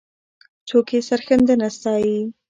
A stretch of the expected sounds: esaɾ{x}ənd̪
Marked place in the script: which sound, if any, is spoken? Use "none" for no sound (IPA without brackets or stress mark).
x